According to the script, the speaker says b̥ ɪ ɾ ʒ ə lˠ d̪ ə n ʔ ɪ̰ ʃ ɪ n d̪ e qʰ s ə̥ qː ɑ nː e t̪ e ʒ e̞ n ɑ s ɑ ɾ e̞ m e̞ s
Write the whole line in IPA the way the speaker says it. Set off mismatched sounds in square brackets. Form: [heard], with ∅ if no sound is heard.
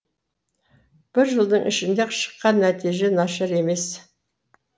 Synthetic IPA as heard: b̥ ɪ ɾ ʒ ə lˠ d̪ ə [ɴ] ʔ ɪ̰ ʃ ɪ n d̪ e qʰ [ʃ] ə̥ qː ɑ nː [æ] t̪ [i] ʒ e̞ n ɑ [ʃ] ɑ ɾ e̞ m e̞ s